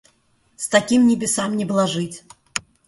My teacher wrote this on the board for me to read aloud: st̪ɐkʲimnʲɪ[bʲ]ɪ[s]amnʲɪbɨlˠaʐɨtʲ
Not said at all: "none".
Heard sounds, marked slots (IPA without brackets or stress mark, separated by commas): bʲ, s